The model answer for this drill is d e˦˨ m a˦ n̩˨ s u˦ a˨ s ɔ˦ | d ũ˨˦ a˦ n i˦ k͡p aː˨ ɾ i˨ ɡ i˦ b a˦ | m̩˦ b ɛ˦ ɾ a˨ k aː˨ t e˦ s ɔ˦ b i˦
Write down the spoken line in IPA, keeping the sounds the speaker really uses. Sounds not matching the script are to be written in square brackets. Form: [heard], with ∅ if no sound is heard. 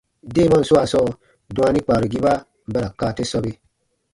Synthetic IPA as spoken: d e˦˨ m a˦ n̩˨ s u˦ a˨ s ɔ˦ | d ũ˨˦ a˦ n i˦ k͡p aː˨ ɾ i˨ ɡ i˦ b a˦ | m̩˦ b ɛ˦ ɾ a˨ k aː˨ t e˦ s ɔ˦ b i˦